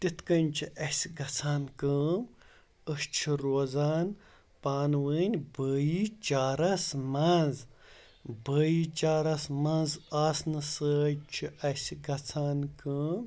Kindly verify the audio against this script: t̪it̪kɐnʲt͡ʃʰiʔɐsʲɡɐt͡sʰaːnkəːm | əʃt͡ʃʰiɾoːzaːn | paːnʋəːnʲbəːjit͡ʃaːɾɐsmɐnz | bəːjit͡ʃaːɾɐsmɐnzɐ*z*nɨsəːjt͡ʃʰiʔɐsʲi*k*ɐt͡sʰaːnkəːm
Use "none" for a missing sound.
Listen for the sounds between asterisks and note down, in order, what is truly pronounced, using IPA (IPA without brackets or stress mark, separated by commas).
s, ɡ